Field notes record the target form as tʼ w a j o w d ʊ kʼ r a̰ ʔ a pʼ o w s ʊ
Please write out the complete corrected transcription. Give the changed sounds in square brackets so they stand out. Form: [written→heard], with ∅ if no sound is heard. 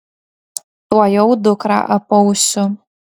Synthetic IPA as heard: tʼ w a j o w d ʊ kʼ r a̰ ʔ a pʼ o w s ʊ